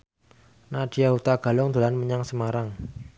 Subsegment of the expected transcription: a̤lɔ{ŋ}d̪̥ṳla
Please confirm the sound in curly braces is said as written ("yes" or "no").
yes